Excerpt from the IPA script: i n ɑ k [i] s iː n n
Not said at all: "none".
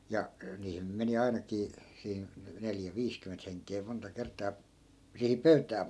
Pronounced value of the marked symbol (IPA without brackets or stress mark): iː